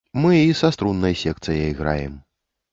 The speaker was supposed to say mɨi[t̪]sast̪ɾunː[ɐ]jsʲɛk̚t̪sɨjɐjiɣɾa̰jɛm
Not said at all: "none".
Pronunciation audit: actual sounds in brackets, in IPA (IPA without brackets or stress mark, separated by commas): none, ɐ